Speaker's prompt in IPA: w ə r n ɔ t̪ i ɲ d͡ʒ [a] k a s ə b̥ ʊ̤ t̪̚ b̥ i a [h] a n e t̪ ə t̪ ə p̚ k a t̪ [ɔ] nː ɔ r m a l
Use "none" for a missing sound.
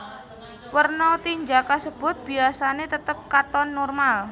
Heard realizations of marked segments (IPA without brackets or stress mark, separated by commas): a, s, ɔ